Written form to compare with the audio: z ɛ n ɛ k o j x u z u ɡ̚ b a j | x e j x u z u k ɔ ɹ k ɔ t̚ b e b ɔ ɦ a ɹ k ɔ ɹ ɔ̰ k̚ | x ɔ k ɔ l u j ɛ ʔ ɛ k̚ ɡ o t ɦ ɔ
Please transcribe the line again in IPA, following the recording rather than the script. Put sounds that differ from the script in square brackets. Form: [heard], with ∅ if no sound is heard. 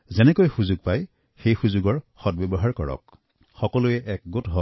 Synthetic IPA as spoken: z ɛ n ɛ k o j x u z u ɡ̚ [p] a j | x e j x u z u [ɡ] ɔ ɹ [x] ɔ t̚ b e b ɔ ɦ a ɹ k ɔ ɹ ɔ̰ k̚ | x ɔ k ɔ l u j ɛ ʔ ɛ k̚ ɡ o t ɦ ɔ

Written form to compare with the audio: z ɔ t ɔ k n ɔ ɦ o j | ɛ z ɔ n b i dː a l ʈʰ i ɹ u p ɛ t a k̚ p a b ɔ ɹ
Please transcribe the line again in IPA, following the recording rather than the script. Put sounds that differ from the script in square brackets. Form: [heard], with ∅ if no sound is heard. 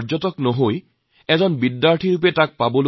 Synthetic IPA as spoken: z ɔ t ɔ k n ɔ ɦ o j | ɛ z ɔ n b i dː a [ɹ] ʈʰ i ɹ u p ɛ t a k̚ p a b ɔ [l]

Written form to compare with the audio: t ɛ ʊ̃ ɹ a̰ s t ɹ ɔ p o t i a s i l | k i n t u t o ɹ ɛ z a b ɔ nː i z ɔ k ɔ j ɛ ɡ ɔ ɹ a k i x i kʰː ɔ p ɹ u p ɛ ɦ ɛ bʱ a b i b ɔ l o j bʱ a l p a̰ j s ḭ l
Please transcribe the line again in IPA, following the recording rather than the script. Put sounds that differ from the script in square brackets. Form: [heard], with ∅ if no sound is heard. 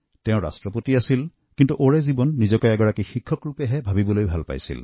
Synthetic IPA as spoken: t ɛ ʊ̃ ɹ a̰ s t ɹ ɔ p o t i a s i l | k i n t u [ʔ] o ɹ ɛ z [i] b ɔ nː i z ɔ k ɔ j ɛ ɡ ɔ ɹ a k i x i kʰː ɔ [k] ɹ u p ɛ ɦ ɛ bʱ a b i b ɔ l o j bʱ a l p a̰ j s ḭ l

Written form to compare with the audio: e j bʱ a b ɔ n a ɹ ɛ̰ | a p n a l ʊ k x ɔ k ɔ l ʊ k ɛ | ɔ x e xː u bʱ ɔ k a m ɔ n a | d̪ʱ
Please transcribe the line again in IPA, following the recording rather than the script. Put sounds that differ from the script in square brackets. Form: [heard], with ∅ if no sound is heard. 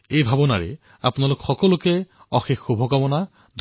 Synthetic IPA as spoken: e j bʱ a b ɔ n a ɹ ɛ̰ | a p n a l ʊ k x ɔ k ɔ l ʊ k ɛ | ɔ x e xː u bʱ ɔ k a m ɔ n a | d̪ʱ

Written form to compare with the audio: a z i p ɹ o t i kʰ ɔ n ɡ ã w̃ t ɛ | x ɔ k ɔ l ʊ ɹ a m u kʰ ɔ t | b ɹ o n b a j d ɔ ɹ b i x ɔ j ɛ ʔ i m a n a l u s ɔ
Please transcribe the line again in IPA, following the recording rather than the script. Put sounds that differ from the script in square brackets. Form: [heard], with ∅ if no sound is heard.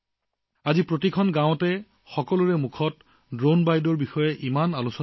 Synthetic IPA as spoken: a z i p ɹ o t i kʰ ɔ n ɡ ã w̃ t ɛ | x ɔ k ɔ l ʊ ɹ [ɛ] m u kʰ ɔ t | [d] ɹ o n b a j d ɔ ɹ b i x ɔ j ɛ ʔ i m a n a l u s ɔ

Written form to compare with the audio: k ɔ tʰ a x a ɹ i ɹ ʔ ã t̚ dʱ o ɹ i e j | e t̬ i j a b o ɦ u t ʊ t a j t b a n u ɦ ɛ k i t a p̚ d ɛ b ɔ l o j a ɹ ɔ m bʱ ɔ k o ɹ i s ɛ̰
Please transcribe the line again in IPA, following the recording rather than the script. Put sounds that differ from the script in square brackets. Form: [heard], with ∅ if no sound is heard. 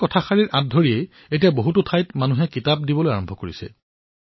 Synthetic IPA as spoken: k ɔ tʰ a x a ɹ i ɹ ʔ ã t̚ dʱ o ɹ i e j | e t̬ i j a b o ɦ u t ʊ [tʰ] a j t [m] a n u ɦ ɛ k i t a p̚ d [i] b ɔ l o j a ɹ ɔ m bʱ ɔ k o ɹ i s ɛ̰

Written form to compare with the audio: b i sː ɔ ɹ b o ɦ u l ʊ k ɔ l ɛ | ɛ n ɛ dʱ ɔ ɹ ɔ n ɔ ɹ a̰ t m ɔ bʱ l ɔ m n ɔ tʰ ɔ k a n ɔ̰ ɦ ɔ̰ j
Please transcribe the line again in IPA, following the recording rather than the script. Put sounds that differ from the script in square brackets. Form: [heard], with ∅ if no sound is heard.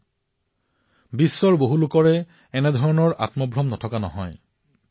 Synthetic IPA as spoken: b i sː ɔ ɹ b o ɦ u l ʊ k ɔ [ɹ] ɛ | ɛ n ɛ dʱ ɔ ɹ ɔ n ɔ ɹ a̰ t m ɔ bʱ [ɹ] ɔ m n ɔ tʰ ɔ k a n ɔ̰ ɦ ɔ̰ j

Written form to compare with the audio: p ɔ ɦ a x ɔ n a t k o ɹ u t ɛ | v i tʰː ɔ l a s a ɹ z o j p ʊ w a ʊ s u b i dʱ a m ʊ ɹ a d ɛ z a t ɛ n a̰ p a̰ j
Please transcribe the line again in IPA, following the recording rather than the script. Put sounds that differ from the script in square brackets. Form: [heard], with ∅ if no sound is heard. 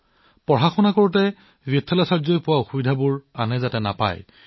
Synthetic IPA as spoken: p ɔ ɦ a x ɔ n a [∅] k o ɹ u t ɛ | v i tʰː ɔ l a s a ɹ z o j p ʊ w a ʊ [x] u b i dʱ a [b] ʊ ɹ a [n] ɛ z a t ɛ n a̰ p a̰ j

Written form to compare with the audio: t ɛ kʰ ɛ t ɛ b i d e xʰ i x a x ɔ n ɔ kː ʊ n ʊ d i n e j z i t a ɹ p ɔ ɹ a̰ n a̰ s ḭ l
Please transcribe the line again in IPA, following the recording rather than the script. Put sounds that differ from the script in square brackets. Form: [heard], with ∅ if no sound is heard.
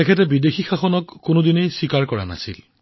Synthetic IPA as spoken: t ɛ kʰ ɛ t ɛ b i d e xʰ i x a x ɔ n ɔ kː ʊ n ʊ d i n e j [s] i [k] a ɹ [k] ɔ ɹ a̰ n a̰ s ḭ l

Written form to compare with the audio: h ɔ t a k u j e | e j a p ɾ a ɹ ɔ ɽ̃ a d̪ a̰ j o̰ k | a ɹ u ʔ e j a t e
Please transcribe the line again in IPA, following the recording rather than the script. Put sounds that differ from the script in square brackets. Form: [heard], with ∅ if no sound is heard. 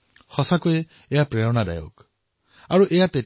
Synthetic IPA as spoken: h ɔ [s] a k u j e | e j a p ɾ [e] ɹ ɔ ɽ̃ a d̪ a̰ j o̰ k | a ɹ u ʔ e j a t e

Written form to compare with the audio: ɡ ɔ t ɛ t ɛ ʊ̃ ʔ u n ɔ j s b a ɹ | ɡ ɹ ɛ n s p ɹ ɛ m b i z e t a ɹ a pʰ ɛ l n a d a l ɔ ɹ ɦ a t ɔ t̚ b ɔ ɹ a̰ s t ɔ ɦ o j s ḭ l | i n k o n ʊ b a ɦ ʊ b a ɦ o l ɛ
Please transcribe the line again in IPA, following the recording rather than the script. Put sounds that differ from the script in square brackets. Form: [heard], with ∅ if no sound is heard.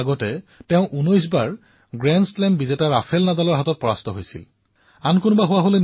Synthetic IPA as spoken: ɡ ɔ t ɛ t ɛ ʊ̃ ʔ u n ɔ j s b a ɹ | ɡ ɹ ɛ n s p [l] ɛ m b i z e t a ɹ a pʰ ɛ l n a d a l ɔ ɹ ɦ a t ɔ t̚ [p] ɔ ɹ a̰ s t ɔ ɦ o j s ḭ l | [a] n k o n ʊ b a ɦ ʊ [w] a ɦ o l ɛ

